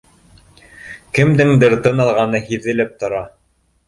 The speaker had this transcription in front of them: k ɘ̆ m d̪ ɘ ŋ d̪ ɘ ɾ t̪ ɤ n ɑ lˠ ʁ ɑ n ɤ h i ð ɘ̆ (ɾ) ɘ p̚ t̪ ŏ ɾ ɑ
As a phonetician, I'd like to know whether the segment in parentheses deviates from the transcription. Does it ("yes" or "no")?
yes